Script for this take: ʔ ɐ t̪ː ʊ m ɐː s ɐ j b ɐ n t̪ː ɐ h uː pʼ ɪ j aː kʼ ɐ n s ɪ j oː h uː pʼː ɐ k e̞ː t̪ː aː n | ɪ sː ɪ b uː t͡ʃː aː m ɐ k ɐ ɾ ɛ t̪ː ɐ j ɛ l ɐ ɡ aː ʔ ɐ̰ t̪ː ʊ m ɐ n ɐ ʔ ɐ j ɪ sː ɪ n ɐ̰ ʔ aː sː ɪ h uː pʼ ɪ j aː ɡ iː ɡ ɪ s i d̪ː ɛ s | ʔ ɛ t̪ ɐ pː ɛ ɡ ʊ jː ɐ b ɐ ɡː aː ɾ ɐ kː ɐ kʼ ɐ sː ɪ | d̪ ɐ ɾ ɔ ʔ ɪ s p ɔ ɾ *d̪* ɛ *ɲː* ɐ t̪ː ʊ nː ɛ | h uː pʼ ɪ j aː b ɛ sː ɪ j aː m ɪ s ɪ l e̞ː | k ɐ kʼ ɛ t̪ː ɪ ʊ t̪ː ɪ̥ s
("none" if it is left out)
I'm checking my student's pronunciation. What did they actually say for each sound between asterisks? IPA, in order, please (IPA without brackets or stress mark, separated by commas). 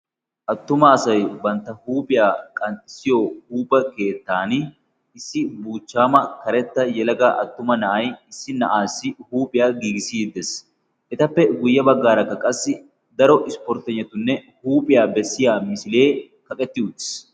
t̪, ɲː